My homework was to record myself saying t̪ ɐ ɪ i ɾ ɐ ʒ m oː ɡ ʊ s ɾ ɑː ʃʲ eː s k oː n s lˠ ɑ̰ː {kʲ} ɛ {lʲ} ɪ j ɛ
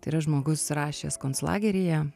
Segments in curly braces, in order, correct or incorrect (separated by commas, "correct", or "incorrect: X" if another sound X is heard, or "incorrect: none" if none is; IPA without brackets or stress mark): incorrect: ɡʲ, incorrect: ɾʲ